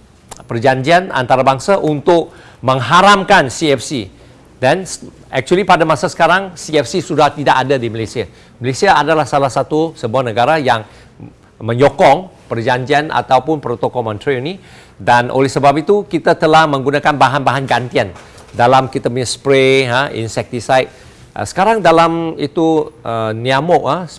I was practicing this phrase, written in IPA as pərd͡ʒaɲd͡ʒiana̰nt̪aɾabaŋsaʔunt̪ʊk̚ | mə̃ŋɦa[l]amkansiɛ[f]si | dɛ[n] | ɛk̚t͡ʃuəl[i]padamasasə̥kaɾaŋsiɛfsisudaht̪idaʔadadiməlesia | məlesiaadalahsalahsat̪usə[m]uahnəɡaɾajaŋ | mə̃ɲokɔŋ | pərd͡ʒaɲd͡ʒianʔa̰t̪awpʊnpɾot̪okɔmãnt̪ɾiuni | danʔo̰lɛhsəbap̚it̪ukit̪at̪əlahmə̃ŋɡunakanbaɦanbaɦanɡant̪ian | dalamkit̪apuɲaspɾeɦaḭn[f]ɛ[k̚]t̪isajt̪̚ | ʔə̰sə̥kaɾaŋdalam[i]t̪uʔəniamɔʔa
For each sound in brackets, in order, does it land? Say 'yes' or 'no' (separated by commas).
no, yes, yes, yes, no, no, yes, yes